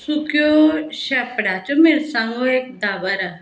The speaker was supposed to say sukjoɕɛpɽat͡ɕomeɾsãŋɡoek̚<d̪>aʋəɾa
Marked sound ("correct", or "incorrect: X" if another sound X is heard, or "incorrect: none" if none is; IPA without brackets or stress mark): correct